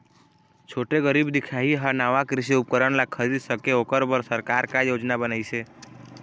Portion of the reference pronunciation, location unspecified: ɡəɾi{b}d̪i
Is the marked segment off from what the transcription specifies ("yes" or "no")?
no